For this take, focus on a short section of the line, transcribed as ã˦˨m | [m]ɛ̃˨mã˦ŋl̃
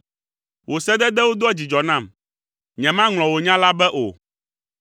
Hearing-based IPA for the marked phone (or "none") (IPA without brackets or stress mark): ɲ